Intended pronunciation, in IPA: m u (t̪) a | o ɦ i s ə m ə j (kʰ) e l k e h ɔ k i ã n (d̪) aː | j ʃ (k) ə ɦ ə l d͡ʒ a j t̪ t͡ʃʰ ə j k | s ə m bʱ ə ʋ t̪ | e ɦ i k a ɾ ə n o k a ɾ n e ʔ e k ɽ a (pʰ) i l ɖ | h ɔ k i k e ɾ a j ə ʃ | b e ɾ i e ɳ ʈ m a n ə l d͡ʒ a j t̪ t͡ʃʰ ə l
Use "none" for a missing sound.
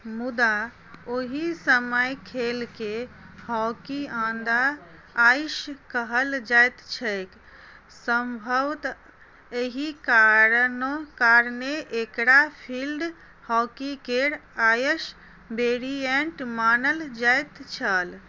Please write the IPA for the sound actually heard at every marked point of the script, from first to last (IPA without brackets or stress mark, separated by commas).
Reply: d̪, kʰ, d̪, k, pʰ